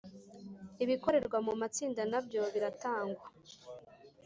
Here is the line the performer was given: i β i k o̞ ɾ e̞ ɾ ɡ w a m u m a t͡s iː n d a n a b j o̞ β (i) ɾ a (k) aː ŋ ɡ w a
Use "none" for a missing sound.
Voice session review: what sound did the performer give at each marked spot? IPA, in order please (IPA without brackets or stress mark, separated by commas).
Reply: i, t